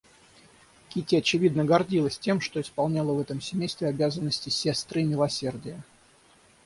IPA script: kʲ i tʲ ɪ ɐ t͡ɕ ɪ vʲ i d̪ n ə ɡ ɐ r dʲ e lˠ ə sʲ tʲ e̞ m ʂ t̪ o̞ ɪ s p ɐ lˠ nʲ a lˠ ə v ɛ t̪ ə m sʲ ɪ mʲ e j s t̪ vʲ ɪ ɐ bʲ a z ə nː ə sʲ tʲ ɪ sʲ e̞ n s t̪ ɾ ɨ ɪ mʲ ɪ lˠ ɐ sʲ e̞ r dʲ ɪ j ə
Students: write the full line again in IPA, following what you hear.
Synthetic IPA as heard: kʲ i tʲ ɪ ɐ t͡ɕ ɪ vʲ i d̪ n ə ɡ ɐ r dʲ i lˠ ə sʲ tʲ e̞ m ʂ t̪ o̞ ɪ s p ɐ lˠ nʲ a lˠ ə v ɛ t̪ ə m sʲ ɪ mʲ e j s t̪ vʲ ɪ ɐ bʲ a z ə nː ə sʲ tʲ ɪ sʲ e̞ s t̪ ɾ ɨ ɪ mʲ ɪ lˠ ɐ sʲ e̞ r dʲ ɪ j ə